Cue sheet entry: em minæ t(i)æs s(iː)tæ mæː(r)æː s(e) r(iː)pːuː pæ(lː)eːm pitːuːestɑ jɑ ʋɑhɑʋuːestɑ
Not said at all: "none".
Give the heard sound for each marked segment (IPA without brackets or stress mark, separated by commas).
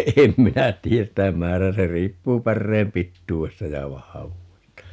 iː, i, r, e, iː, rː